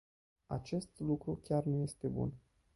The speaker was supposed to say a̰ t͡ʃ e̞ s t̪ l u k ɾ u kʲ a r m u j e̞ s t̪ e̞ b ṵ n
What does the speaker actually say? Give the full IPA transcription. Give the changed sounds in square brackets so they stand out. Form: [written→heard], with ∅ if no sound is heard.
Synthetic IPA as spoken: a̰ t͡ʃ e̞ s t̪ l u k ɾ u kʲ a r [m→n] u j e̞ s t̪ e̞ b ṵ n